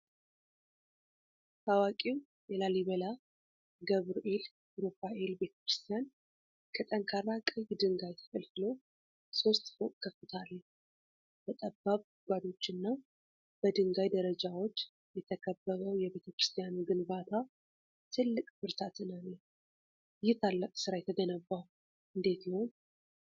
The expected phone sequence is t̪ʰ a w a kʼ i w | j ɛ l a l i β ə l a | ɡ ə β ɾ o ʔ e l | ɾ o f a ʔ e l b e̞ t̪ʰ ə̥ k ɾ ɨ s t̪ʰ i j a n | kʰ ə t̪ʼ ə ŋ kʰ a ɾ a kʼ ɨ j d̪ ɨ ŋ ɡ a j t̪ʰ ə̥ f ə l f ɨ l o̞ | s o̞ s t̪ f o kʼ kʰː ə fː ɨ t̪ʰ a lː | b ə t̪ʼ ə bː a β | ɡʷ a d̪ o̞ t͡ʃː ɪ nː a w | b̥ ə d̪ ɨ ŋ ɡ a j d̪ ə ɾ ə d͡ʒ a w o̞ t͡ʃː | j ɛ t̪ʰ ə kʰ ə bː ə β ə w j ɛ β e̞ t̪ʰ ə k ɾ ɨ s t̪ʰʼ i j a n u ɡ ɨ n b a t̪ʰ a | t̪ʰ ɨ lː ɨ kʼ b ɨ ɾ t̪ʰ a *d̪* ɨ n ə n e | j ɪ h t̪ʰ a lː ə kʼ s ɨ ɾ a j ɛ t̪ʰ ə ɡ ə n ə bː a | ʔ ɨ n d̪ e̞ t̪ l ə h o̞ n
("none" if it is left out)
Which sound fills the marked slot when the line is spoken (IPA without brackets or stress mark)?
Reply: t̪